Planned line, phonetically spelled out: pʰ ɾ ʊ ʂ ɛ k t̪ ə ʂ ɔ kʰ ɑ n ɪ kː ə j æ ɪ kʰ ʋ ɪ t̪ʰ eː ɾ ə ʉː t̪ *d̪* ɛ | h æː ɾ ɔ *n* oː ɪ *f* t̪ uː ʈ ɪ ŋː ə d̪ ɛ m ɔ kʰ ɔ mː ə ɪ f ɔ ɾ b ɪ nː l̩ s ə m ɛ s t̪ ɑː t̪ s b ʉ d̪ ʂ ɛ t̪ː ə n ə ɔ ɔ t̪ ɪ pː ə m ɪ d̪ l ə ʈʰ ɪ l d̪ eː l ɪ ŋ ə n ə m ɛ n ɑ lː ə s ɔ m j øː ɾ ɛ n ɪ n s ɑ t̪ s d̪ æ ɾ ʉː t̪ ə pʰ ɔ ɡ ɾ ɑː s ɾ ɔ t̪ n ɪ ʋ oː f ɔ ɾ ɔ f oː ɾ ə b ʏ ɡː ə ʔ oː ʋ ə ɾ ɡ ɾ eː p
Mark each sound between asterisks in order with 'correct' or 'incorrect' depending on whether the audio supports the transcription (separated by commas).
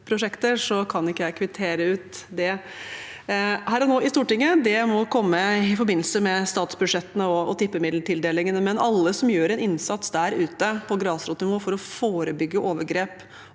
correct, correct, incorrect